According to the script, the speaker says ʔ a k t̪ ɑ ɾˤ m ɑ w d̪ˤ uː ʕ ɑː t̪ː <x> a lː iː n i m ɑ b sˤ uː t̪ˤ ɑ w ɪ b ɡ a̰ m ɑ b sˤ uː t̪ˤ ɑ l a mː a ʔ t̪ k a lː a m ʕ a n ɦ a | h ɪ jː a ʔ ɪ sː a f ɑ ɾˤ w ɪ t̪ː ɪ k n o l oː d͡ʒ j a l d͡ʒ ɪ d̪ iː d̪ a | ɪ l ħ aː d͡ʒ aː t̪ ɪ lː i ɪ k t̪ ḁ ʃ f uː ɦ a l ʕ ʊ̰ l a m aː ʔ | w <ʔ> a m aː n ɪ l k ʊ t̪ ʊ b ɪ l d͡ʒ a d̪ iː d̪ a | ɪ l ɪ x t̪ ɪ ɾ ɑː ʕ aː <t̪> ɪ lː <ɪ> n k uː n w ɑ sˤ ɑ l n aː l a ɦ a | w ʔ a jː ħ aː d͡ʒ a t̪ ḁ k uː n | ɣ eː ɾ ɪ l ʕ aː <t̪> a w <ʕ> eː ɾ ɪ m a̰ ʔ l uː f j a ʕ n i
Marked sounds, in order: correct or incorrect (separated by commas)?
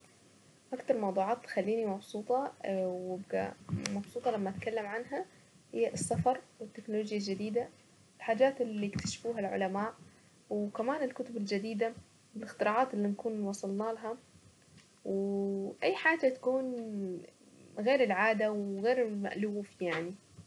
correct, incorrect, correct, incorrect, incorrect, incorrect